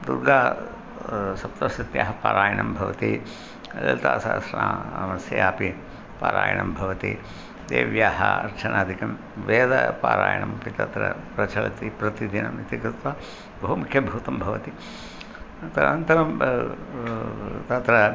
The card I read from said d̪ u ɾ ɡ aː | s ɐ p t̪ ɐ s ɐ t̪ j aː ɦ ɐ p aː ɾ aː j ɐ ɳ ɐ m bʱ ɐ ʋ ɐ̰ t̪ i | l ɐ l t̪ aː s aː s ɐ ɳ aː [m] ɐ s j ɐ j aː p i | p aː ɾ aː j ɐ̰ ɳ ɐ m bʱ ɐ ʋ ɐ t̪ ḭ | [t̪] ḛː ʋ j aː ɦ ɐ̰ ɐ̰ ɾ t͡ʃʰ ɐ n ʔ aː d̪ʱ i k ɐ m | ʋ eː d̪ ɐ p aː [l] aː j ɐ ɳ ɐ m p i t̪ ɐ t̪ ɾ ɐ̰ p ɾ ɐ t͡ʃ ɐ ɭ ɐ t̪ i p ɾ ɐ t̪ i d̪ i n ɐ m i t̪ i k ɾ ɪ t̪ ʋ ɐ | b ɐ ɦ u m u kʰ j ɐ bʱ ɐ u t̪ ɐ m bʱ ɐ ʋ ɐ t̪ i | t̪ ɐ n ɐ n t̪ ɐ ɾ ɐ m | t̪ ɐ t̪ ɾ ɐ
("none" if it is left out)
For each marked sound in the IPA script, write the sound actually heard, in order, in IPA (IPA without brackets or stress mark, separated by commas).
m, d̪, ɾ